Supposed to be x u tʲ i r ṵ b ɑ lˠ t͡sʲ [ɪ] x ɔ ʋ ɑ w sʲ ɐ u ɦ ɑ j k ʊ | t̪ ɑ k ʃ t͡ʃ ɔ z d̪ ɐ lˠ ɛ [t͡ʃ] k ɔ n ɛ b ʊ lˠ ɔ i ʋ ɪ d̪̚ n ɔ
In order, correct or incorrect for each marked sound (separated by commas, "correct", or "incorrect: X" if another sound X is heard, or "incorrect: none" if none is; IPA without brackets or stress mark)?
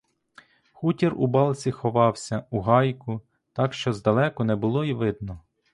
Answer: incorrect: i, incorrect: none